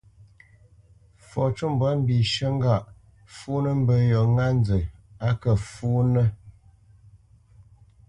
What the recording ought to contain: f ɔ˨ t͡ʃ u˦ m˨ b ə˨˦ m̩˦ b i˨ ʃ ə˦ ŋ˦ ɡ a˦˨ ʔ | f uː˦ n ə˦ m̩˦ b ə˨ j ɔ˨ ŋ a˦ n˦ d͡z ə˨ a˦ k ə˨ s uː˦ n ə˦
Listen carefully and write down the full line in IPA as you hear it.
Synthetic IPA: f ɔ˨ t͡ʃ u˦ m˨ b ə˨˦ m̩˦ b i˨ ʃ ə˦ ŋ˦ ɡ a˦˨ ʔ | f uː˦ n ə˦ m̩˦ b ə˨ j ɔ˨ ŋ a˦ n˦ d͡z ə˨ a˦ k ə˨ f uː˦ n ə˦